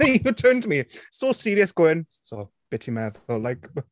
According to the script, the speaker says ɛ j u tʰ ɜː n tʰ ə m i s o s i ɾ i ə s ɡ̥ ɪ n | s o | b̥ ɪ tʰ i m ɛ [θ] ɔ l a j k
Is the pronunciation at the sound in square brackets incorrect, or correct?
incorrect: ð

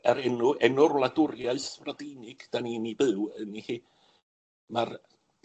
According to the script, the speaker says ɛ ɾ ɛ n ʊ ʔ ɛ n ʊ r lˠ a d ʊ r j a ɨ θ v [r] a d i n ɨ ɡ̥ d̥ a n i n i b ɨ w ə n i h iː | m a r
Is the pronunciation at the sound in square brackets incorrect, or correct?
correct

